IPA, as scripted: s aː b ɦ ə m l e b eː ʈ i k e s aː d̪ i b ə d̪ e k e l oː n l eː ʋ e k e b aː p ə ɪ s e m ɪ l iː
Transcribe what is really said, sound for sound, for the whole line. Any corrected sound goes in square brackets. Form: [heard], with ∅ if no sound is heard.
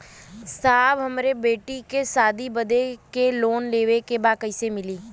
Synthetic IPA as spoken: s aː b ɦ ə m [ɾ] e b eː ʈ i k e s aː d̪ i b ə d̪ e k e l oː n l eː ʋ e k e b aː [k] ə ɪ s e m ɪ l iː